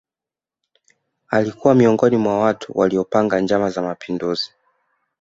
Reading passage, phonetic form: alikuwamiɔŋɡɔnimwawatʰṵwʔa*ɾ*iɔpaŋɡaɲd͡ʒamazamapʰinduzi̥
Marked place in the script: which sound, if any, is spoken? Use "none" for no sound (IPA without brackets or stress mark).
l